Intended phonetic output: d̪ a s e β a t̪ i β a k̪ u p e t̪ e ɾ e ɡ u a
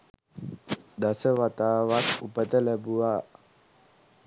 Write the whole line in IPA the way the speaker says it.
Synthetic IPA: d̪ a s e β a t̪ a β a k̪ u p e t̪ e l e b u a